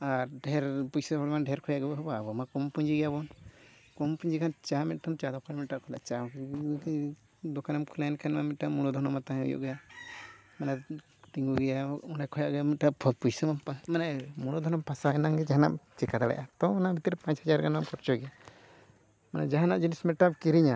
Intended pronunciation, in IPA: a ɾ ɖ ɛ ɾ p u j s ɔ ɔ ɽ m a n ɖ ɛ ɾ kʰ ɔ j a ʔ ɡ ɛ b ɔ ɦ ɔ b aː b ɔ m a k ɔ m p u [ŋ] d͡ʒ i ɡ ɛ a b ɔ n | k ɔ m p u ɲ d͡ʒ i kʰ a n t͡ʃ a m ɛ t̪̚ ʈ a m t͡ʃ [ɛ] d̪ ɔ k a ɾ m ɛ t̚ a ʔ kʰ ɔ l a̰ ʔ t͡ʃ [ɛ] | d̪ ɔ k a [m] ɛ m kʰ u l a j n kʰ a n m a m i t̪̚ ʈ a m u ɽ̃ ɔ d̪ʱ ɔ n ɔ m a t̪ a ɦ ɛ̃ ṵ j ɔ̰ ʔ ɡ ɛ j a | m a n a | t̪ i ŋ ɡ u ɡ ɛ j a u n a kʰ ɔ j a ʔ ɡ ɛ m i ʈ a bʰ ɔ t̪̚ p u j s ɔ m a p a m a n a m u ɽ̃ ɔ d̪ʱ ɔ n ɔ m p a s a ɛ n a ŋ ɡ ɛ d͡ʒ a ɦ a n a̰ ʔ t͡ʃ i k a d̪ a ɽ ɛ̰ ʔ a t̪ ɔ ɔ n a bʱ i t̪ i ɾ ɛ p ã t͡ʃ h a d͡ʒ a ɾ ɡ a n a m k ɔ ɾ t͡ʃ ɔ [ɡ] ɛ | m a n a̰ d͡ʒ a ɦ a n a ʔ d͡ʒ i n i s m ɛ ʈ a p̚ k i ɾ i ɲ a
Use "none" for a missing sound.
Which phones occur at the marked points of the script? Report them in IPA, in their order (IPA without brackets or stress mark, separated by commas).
ɲ, a, a, n, ɡ